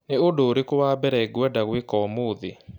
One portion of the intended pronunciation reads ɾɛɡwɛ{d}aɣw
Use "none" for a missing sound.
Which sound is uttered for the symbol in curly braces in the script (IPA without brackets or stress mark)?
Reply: d